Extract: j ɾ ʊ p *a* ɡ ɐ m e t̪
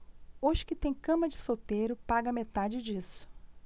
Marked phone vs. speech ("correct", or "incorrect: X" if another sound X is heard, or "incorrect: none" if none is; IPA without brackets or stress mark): correct